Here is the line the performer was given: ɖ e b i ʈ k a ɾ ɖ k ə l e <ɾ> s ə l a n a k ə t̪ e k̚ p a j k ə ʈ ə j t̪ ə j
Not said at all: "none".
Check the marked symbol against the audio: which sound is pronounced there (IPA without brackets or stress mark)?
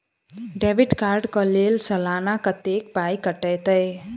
l